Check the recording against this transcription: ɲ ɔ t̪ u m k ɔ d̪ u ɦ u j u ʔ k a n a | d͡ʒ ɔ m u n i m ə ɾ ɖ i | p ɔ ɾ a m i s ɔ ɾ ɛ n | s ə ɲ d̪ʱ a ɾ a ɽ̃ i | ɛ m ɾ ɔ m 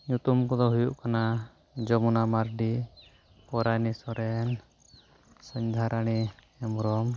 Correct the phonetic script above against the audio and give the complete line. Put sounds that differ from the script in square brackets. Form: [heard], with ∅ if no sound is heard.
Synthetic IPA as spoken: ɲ [u] t̪ u m k ɔ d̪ [ɔ] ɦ u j u ʔ k a n a | d͡ʒ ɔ m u n [a] m [a] ɾ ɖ i | p ɔ ɾ a [n] i s ɔ ɾ ɛ n | s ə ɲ d̪ʱ a ɾ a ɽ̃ i | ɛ m ɾ ɔ m